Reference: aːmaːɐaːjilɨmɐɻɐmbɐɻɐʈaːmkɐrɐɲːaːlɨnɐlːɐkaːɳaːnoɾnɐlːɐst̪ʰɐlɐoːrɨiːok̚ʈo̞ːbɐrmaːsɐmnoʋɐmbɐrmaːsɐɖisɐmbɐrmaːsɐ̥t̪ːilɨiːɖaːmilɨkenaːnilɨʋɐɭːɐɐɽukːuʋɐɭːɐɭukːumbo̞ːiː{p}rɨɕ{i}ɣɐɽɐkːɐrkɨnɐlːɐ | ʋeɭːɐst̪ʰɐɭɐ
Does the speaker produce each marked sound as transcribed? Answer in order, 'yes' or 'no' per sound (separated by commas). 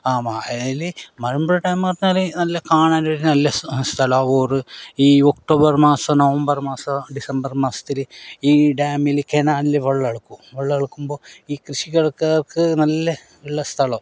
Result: no, yes